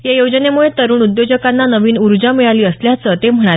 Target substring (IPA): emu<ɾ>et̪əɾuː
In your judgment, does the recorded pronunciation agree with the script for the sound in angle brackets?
no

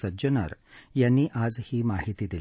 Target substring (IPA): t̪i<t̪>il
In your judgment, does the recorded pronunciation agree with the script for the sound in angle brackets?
no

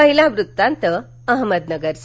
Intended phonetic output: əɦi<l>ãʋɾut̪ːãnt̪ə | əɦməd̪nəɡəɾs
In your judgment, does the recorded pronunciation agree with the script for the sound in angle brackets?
yes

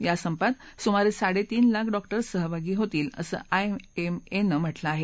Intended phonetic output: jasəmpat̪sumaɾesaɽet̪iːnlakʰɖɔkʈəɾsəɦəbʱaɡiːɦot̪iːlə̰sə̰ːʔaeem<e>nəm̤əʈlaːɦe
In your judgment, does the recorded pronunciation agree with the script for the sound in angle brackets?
yes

